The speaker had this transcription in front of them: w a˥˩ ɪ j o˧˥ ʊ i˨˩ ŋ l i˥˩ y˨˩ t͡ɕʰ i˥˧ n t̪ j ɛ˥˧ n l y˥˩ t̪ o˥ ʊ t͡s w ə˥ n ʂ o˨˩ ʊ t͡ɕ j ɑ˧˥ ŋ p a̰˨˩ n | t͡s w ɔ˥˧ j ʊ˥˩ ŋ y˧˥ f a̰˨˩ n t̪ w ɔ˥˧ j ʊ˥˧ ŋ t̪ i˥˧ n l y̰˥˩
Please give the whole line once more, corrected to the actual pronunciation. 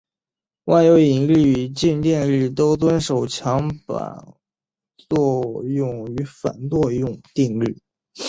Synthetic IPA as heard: w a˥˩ ɪ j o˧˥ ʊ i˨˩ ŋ l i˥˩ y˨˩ t͡ɕ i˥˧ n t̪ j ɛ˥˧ n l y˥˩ t̪ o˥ ʊ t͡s w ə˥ n ʂ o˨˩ ʊ t͡ɕʰ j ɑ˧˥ ŋ p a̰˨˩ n | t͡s w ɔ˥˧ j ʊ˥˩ ŋ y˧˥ f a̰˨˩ n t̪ w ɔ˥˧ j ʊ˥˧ ŋ t̪ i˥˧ ŋ l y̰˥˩

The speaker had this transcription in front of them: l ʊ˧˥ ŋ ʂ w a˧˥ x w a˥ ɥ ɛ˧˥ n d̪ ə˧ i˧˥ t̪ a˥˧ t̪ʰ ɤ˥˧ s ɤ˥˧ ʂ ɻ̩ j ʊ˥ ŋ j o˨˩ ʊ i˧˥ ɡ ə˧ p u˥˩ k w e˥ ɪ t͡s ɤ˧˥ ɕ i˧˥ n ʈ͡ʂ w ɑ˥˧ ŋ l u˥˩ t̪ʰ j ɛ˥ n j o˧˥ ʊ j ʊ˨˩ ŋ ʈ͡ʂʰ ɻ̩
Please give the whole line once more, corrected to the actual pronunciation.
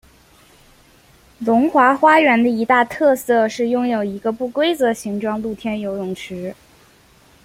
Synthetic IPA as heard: l ʊ˧˥ ŋ x w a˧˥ x w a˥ ɥ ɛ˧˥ n d̪ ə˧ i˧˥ t̪ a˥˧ t̪ʰ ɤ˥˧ s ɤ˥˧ ʂ ɻ̩ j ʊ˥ ŋ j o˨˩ ʊ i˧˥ ɡ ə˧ p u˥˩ k w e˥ ɪ t͡s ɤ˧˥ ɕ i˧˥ ŋ ʈ͡ʂ w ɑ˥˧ ŋ l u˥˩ t̪ʰ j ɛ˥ n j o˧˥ ʊ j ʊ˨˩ ŋ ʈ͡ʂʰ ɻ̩

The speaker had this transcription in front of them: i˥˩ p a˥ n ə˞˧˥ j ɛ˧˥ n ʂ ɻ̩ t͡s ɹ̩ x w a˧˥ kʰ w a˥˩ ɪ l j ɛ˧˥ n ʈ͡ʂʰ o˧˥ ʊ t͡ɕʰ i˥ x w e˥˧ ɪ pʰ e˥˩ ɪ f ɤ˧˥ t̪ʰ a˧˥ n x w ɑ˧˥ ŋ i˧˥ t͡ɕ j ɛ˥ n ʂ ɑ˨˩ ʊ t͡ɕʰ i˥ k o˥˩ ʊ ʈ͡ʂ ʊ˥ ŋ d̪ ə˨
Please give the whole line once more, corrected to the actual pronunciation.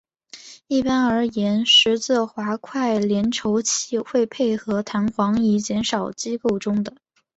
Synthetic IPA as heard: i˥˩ p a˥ n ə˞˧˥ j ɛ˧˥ n ʂ ɻ̩ t͡s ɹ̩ x w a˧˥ kʰ w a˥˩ ɪ l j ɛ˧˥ n ʈ͡ʂʰ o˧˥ ʊ t͡ɕʰ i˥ x w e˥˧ ɪ pʰ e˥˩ ɪ x ɤ˧˥ t̪ʰ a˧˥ n x w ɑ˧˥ ŋ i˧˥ t͡ɕ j ɛ˧˥ n ʂ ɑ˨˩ ʊ t͡ɕ i˥ k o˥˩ ʊ ʈ͡ʂ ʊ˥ ŋ d̪ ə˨

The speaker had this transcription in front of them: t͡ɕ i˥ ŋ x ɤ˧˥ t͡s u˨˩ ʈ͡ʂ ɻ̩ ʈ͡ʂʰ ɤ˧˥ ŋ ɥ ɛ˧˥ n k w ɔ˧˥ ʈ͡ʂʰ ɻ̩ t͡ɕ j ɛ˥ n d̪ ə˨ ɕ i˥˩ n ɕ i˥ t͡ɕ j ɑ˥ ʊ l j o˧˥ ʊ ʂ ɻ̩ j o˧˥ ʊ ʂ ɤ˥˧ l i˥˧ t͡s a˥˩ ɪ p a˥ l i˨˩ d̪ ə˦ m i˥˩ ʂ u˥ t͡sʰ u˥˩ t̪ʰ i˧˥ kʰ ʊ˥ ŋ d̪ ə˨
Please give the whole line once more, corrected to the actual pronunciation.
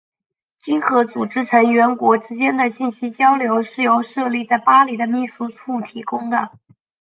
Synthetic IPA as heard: t͡ɕ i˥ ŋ x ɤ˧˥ t͡s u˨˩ ʈ͡ʂ ɻ̩ ʈ͡ʂʰ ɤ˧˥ ŋ ɥ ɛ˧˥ n k w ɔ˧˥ ʈ͡ʂ ɻ̩ t͡ɕ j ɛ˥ n d̪ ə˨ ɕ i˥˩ n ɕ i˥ t͡ɕ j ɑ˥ ʊ l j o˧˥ ʊ ʂ ɻ̩ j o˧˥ ʊ ʂ ɤ˥˧ l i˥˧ t͡s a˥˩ ɪ p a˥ l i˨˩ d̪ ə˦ m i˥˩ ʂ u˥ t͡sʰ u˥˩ t̪ʰ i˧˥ k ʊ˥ ŋ d̪ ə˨

